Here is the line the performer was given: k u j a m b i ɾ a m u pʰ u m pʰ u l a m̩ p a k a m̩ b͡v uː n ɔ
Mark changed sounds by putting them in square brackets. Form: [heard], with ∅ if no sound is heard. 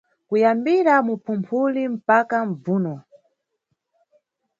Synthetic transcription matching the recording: k u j a m b i ɾ a m u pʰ u m pʰ u l [i] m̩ p a k a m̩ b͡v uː n ɔ